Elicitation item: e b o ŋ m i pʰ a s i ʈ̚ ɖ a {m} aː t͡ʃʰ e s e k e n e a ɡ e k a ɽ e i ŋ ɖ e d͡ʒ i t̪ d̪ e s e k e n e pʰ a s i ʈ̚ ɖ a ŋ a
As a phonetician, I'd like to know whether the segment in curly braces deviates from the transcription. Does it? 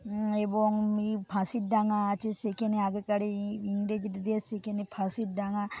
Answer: yes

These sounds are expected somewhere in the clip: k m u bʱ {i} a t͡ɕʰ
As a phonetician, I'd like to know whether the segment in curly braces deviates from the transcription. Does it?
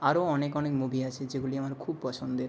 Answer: no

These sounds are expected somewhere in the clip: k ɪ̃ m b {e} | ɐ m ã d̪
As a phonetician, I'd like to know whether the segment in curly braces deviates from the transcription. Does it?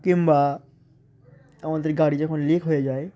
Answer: yes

